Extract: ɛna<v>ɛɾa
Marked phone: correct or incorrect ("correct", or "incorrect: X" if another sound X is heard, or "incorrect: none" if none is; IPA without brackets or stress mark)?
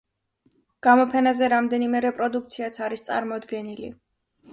incorrect: z